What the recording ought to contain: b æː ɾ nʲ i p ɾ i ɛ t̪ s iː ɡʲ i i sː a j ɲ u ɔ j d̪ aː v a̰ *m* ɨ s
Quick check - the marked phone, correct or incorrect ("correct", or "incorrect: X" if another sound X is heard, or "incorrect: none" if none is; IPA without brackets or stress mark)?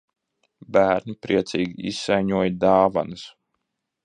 incorrect: n